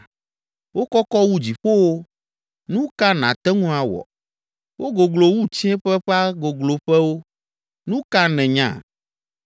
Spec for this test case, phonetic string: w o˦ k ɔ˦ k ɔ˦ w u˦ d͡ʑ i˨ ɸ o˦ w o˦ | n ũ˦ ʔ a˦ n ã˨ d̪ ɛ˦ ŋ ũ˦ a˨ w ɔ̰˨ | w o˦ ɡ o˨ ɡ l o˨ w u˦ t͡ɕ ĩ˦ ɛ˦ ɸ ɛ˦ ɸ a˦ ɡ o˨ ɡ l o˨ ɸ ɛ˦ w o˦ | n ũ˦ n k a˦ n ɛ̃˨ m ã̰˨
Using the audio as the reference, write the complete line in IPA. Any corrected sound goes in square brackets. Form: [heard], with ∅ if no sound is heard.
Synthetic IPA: w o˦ k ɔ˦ k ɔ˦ w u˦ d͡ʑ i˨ ɸ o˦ w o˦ | n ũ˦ [k] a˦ n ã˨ [t̪] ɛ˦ ŋ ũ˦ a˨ w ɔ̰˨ | w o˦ ɡ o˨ ɡ l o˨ w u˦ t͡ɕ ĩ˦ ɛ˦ ɸ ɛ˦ ɸ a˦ ɡ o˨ ɡ l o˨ ɸ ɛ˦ w o˦ | n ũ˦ [∅] k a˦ n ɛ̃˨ [ɲ] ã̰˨